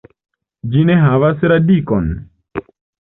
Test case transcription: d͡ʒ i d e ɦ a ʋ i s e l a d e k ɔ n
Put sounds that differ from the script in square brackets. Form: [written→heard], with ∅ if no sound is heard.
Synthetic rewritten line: d͡ʒ i [d→n] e ɦ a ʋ [i→a] s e [l→ɾ] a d [e→i] k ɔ n